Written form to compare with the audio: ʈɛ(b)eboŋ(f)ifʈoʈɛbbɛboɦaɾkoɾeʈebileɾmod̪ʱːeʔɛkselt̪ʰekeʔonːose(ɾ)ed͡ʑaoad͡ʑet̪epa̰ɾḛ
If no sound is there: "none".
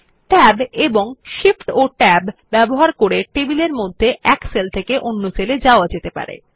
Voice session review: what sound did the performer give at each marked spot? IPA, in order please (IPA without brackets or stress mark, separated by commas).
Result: b, ʃ, l